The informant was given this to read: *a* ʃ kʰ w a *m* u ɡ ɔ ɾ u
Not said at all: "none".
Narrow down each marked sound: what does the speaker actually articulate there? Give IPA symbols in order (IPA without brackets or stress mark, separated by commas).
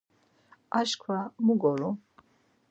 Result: a, m